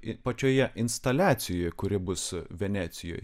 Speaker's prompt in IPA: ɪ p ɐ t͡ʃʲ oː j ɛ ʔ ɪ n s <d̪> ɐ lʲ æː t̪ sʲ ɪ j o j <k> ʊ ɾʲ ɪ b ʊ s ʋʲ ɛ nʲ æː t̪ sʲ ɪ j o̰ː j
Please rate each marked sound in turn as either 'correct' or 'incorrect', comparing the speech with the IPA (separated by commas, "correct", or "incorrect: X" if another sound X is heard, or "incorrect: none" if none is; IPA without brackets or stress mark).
incorrect: t̪, correct